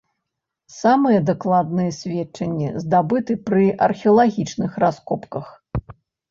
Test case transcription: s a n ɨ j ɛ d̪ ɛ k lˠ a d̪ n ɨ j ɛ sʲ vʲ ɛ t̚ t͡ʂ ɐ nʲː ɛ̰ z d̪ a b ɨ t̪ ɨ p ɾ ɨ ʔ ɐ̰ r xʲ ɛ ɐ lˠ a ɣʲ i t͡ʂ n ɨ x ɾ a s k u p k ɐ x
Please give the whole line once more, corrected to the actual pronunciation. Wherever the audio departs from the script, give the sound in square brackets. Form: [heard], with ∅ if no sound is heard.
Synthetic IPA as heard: s a [m] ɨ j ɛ d̪ [a] k lˠ a d̪ n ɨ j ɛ sʲ vʲ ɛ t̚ t͡ʂ ɐ nʲː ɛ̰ z d̪ a b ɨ t̪ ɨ p ɾ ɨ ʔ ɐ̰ r xʲ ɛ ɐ lˠ a ɣʲ i t͡ʂ n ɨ x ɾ a s k [ɔ] p k ɐ x